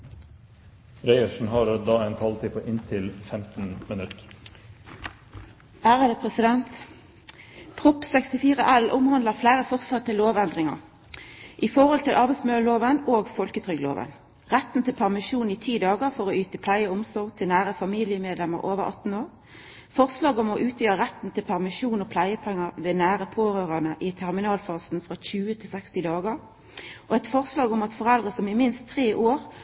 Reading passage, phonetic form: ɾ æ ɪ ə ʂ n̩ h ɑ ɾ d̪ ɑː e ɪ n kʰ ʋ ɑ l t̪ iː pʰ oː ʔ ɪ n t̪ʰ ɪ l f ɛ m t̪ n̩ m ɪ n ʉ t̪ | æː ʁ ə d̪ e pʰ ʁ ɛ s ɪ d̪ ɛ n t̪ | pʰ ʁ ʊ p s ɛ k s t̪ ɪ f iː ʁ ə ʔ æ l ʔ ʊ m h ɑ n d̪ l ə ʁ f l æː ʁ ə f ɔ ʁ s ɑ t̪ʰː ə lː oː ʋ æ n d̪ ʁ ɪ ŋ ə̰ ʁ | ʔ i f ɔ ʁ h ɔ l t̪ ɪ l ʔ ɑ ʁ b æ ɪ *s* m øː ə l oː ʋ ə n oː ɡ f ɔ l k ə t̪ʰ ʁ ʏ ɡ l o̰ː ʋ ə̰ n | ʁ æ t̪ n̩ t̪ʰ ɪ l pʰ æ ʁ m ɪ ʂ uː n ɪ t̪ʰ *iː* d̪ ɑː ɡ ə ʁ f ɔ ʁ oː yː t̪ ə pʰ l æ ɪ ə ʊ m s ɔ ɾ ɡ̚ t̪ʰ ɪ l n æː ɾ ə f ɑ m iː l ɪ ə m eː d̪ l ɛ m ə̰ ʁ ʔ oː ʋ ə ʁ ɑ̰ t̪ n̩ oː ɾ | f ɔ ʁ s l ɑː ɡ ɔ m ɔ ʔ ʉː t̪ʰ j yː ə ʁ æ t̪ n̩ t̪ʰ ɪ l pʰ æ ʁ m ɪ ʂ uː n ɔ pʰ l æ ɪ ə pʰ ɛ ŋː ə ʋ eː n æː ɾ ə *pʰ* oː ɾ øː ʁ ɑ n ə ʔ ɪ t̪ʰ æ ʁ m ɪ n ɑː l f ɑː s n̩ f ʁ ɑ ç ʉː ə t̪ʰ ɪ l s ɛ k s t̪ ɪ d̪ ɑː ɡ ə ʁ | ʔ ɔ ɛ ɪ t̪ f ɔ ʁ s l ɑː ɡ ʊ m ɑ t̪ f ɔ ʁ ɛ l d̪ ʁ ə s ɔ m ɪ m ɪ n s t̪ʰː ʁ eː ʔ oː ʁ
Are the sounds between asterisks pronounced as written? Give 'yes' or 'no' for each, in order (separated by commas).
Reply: yes, yes, yes